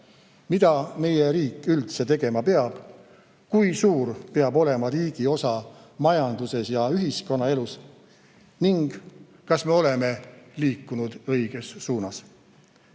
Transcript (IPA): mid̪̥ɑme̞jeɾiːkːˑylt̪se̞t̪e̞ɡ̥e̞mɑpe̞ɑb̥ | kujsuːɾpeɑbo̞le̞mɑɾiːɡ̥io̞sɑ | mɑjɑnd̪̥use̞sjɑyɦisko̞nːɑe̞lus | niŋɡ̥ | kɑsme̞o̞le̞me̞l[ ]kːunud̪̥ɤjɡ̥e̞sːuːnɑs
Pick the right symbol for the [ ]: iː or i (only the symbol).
iː